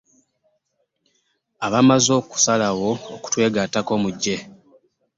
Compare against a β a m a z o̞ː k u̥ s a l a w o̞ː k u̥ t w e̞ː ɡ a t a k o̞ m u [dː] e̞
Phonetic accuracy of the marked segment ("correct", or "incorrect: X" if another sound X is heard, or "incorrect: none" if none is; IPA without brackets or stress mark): incorrect: ɟː